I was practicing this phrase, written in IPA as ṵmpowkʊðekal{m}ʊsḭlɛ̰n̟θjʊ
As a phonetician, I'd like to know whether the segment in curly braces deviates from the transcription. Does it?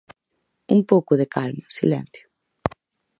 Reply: no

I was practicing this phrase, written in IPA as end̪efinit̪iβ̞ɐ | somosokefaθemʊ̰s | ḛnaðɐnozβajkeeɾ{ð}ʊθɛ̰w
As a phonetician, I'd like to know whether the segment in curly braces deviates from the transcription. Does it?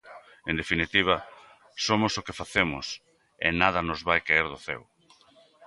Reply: no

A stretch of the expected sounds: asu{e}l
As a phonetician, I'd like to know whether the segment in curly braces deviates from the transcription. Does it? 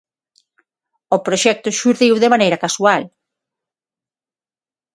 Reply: yes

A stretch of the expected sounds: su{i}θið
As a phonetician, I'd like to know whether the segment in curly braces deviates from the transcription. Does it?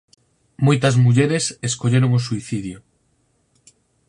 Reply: no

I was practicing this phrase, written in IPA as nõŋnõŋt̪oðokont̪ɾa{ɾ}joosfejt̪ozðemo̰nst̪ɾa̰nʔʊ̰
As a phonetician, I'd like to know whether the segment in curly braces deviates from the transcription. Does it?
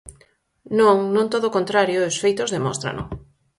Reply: no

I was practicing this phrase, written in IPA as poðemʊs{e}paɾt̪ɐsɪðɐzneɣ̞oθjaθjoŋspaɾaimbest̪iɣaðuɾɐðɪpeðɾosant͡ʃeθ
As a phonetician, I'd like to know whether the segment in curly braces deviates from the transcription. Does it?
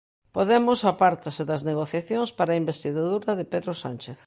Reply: yes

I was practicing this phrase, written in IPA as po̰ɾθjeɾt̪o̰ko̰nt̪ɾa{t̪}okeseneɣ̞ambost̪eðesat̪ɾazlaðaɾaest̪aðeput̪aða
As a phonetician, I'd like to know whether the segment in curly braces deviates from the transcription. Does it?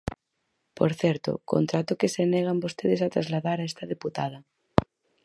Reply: no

